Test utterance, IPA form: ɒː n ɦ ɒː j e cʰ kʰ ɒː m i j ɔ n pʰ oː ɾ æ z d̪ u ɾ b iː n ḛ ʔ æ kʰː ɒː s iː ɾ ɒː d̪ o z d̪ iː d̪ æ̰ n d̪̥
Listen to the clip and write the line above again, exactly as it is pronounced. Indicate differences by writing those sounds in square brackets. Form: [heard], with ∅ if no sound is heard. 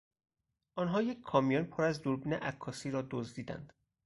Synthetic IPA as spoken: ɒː n ɦ ɒː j e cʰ kʰ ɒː m i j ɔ n pʰ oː ɾ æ z d̪ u ɾ b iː n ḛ ʔ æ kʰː ɒː s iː ɾ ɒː d̪ o z d̪ iː d̪ æ̰ n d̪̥